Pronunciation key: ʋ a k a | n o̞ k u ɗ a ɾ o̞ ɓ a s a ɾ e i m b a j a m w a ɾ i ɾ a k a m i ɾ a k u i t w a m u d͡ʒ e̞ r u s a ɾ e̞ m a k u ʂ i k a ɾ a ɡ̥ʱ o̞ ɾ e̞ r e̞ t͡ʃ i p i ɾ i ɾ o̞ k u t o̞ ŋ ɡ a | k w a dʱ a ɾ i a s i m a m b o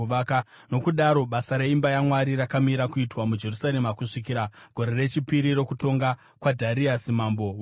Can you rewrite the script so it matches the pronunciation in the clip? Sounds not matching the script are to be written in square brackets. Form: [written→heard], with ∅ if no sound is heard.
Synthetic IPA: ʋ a k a | n o̞ k u ɗ a ɾ o̞ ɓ a s a ɾ e i m b a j a m w a ɾ i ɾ a k a m i ɾ a k u i t w a m u d͡ʒ e̞ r u s a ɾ e̞ m a k u ʂ i k [a→i] ɾ a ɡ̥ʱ o̞ ɾ e̞ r e̞ t͡ʃ i p i ɾ i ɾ o̞ k u t o̞ ŋ ɡ a | k w a dʱ a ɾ i a s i m a m b o